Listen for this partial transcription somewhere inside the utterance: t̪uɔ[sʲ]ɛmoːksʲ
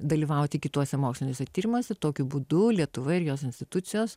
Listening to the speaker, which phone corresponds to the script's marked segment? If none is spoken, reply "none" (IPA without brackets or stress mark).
sʲ